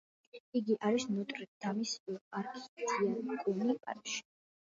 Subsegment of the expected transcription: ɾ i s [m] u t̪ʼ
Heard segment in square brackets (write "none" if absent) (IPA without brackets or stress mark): n